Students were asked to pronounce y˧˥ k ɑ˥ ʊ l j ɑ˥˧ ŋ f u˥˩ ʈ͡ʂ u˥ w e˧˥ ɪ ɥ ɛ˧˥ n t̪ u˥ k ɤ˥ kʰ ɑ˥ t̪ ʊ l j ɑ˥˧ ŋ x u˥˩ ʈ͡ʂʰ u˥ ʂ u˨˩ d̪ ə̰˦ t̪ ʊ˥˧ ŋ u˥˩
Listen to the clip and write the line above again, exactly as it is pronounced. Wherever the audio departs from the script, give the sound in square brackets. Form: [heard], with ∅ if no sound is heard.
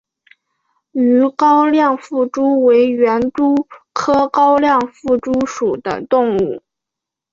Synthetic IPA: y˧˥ k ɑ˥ ʊ l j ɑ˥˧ ŋ f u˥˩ ʈ͡ʂ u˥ w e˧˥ ɪ ɥ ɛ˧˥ n t̪ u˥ [kʰ] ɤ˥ [k] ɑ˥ [∅] ʊ l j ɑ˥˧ ŋ [f] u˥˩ [ʈ͡ʂ] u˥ ʂ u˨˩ d̪ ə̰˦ t̪ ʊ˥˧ ŋ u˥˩